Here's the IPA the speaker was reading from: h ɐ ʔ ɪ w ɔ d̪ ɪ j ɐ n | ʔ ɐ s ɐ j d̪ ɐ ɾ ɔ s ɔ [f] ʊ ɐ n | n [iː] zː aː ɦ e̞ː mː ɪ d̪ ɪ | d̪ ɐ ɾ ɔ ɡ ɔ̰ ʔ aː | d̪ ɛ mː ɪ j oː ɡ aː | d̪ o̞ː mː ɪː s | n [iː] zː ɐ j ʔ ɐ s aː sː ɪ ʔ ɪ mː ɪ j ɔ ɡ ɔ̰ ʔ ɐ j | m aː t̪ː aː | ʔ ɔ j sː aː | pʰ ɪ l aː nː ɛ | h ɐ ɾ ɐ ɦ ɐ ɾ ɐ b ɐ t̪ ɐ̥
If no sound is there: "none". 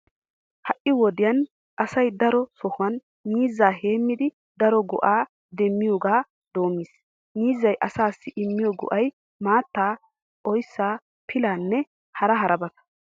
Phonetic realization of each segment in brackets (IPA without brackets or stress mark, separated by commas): h, iː, iː